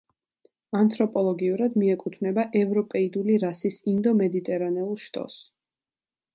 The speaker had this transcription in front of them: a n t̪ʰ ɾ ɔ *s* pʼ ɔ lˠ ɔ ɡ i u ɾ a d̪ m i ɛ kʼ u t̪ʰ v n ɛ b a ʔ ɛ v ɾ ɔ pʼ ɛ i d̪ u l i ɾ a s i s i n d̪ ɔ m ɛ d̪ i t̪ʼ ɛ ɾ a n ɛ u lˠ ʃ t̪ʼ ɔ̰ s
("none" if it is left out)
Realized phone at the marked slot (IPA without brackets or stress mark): none